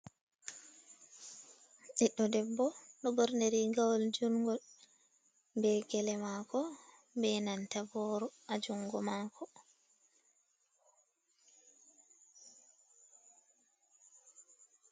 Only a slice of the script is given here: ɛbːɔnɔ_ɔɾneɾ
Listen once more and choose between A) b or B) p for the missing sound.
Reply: A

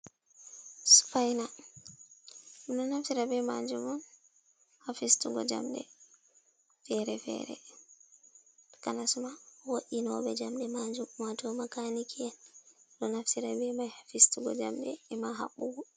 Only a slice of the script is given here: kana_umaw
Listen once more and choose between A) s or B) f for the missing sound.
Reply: A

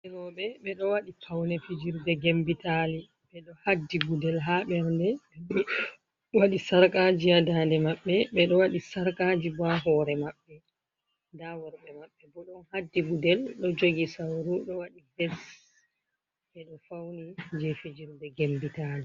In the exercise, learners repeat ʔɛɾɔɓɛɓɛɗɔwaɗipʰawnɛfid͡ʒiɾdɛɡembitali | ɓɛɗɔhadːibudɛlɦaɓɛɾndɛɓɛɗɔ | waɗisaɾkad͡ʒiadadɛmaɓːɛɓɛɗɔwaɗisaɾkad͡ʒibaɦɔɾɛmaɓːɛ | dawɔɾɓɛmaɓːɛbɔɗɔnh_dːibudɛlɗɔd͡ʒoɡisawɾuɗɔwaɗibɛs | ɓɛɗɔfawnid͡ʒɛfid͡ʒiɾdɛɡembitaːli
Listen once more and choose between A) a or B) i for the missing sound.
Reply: A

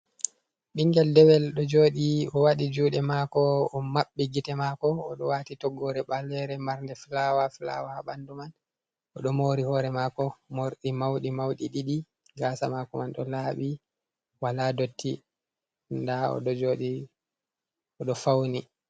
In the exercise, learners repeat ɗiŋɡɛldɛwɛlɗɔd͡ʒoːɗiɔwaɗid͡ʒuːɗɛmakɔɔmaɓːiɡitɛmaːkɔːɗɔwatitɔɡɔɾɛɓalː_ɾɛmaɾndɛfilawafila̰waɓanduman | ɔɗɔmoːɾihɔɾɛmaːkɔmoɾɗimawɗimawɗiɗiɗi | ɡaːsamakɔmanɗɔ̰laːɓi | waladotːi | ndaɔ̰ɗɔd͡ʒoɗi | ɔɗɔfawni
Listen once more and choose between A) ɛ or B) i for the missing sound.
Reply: A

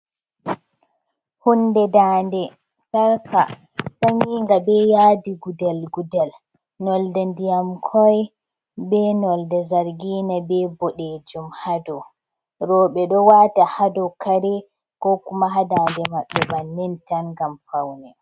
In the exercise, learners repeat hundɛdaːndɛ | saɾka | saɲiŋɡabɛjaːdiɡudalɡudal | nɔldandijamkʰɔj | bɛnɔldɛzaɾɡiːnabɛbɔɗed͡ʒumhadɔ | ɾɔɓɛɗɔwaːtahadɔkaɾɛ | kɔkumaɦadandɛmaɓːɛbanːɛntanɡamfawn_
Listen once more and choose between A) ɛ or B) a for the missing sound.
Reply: A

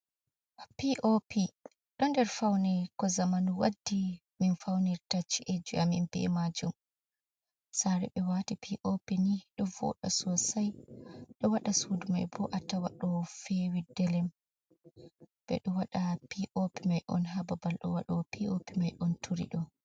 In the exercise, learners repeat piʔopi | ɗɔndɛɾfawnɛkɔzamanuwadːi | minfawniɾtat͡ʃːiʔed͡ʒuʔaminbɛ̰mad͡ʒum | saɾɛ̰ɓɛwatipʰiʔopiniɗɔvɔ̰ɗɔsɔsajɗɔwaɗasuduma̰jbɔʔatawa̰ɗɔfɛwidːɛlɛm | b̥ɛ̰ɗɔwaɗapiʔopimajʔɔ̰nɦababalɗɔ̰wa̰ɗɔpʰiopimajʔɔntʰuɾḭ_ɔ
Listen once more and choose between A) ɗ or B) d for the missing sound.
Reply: A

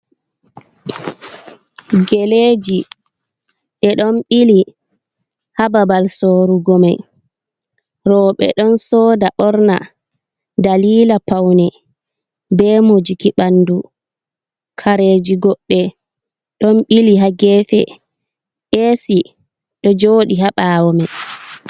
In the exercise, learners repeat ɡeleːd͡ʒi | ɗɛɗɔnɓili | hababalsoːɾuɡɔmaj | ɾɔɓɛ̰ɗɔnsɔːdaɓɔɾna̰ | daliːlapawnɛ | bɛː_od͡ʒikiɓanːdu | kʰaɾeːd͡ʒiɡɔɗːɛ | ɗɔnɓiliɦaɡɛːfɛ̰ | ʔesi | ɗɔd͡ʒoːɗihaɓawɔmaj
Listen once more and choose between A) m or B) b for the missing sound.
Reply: A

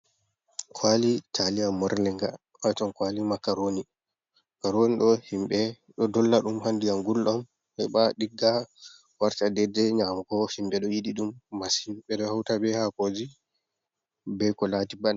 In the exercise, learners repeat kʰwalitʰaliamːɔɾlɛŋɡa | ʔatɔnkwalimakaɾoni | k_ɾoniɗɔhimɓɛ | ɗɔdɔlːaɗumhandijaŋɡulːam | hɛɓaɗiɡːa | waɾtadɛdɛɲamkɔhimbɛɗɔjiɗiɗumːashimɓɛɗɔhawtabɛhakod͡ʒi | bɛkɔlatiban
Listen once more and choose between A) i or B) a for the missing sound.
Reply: B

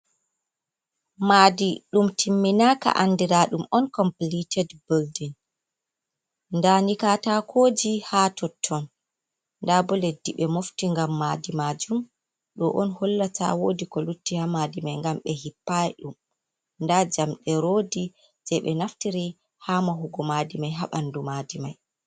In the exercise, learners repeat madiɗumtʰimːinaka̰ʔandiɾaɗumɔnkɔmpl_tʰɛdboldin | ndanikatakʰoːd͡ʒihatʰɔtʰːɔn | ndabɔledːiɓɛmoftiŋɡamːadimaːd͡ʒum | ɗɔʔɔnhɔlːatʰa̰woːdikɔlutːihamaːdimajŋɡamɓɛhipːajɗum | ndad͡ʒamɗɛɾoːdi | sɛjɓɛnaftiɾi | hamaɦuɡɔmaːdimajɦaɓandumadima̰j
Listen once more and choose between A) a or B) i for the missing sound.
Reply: B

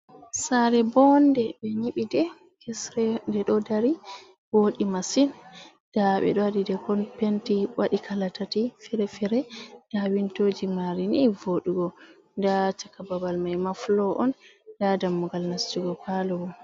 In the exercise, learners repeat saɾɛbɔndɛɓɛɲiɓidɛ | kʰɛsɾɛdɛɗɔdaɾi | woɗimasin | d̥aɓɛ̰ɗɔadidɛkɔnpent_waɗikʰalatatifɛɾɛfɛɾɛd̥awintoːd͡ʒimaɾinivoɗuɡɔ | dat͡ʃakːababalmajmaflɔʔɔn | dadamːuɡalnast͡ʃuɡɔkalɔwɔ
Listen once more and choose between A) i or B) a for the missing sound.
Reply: A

